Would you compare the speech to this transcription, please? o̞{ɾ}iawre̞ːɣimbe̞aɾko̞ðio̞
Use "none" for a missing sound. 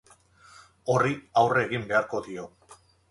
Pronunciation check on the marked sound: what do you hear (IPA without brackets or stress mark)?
r